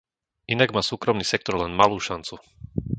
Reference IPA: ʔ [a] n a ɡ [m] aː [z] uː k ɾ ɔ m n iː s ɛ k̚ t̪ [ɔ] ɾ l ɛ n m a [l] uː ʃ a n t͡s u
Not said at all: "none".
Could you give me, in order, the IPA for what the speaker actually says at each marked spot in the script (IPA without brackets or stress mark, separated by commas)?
i, m, s, ɔ, l